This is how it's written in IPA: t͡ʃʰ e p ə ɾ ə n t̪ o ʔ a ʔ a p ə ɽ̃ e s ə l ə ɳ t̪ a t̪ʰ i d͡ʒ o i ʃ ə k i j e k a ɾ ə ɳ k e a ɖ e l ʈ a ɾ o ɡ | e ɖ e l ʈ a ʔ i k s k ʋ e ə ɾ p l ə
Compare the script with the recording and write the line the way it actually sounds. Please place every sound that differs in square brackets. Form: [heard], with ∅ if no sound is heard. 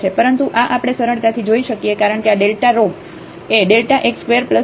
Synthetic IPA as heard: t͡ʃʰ e p ə ɾ ə n t̪ [u] ʔ a ʔ a p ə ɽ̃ e s ə [ɾ] ə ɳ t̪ a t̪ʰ i d͡ʒ o i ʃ ə k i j e k a ɾ ə ɳ k e a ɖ e l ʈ a ɾ o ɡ | e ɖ e l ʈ a ʔ [e] k s k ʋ e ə ɾ p l ə

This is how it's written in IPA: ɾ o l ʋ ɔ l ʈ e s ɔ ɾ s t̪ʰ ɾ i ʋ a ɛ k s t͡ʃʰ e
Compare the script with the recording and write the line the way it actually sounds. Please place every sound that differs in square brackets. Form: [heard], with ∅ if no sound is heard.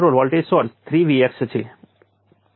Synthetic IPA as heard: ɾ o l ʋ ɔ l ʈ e s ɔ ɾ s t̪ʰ ɾ i ʋ [i] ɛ k s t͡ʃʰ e

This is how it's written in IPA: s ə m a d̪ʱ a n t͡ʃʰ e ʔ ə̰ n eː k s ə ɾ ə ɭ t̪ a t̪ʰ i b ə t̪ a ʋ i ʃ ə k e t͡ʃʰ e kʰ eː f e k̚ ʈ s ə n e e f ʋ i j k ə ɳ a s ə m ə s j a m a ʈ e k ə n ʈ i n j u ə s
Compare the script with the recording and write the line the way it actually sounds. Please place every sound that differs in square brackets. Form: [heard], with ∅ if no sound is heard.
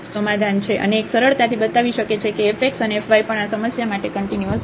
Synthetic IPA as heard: s ə m a d̪ʱ a n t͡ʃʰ e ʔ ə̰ n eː k s ə ɾ ə ɭ t̪ a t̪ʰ i b ə t̪ a ʋ i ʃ ə k e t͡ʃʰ e [k] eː f e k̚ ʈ s ə n e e f ʋ [a] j [p] ə ɳ a s ə m ə s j a m a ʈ e k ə [ɳ] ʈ i n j u ə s

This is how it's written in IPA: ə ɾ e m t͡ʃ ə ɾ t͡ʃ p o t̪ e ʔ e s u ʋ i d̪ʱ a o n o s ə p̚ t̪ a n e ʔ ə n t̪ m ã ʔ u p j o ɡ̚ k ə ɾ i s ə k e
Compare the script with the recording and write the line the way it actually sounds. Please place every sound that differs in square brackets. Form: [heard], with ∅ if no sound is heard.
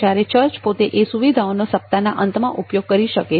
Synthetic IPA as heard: [a] ɾ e [∅] t͡ʃ ə ɾ t͡ʃ p o t̪ e ʔ e s u ʋ i d̪ʱ a o n o s ə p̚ t̪ a n [a] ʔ ə n t̪ m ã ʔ u p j o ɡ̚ k ə ɾ i [ʃ] ə k e

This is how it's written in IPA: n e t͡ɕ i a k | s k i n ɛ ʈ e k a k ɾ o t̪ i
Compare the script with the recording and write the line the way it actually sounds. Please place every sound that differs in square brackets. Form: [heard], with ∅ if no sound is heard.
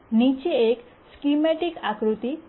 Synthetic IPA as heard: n [i] t͡ɕ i [e] k | s k i [m] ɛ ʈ [i] k a k ɾ [u] t̪ i

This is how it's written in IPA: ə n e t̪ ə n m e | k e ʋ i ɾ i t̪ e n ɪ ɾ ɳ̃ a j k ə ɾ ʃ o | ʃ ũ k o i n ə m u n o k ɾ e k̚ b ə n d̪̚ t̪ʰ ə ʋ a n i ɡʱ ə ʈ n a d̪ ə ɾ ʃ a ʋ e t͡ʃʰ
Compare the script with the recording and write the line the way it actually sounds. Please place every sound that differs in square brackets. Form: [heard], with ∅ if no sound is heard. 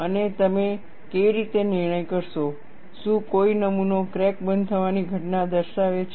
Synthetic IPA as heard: ə n e t̪ ə [∅] m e | k e ʋ i ɾ i t̪ e n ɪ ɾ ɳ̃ [ə] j k ə ɾ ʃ o | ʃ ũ k o i n ə m u n o k ɾ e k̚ b ə n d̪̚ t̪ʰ ə ʋ a n i ɡʱ ə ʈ n a d̪ ə ɾ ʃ a ʋ e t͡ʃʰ

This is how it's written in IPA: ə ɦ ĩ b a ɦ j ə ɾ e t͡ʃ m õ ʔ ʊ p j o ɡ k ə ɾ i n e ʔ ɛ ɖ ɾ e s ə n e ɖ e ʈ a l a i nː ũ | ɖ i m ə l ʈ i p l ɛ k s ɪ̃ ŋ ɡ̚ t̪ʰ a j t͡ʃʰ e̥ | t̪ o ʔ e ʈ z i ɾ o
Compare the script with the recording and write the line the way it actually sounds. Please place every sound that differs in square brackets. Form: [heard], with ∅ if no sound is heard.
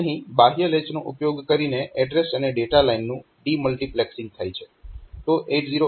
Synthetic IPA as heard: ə ɦ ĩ b a ɦ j ə [l] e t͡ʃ [n] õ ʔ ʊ p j o ɡ k ə ɾ i n e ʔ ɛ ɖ ɾ e s ə n e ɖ e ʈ a l a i nː ũ | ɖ i m ə l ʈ i p l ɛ k s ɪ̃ ŋ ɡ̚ t̪ʰ a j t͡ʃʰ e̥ | t̪ o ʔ e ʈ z i ɾ o

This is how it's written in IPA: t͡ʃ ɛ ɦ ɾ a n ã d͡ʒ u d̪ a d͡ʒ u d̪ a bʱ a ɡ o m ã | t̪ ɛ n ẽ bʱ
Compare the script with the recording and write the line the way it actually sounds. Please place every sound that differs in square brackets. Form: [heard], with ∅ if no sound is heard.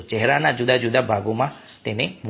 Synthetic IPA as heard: t͡ʃ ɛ ɦ ɾ a n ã d͡ʒ u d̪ a d͡ʒ u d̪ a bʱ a ɡ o m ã | t̪ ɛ n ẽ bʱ

